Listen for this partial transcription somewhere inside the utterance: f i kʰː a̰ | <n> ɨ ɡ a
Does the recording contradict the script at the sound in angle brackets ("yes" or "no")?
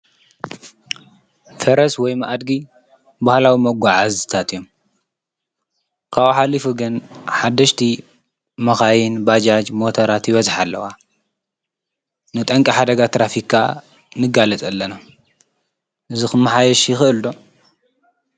no